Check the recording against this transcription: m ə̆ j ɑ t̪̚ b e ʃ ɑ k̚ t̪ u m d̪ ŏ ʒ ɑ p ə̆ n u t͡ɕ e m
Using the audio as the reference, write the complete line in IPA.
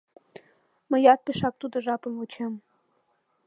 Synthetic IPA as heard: m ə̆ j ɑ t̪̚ p e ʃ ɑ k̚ t̪ u d̪ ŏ ʒ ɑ p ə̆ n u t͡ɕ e m